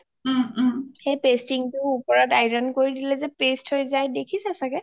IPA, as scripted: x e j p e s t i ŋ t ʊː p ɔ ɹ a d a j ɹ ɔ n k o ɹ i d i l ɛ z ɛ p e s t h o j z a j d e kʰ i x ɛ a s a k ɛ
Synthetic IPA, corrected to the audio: x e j p e s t i ŋ t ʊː p ɔ ɹ a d a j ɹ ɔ n k o ɹ i d i l ɛ z ɛ p e s t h o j z a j d e kʰ i s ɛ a s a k ɛ